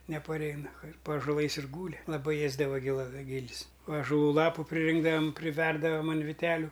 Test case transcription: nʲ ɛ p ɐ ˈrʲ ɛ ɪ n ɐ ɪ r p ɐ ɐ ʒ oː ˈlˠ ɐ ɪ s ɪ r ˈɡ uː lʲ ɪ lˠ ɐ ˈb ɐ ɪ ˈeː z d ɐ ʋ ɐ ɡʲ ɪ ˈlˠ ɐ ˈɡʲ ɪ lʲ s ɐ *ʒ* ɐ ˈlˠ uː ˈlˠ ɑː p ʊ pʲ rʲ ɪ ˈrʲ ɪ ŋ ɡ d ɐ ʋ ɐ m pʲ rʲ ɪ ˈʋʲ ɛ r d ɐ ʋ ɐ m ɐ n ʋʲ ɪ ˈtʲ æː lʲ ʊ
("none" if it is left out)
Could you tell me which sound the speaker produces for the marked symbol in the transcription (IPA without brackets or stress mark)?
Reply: ʒ